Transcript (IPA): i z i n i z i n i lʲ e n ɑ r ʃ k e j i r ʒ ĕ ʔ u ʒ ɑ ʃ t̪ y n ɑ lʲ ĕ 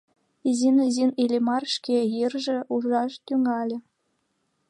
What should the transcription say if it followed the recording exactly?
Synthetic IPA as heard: i z i n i z i n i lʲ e m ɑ r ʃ k e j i r ʒ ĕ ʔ u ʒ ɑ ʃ t̪ y ŋ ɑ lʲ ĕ

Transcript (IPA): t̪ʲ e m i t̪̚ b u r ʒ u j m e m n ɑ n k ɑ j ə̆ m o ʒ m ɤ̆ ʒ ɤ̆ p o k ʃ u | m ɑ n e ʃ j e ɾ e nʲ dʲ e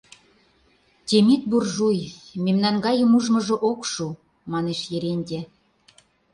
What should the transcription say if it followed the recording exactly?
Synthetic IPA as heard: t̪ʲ e m i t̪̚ b u r ʒ u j m e m n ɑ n ɡ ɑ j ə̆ m u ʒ m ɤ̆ ʒ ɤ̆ ʔ o k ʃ u | m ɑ n e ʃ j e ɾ e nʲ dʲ e

